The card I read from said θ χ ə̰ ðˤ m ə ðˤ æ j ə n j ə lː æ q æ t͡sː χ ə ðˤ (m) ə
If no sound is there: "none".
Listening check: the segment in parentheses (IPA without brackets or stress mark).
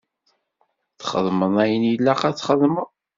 m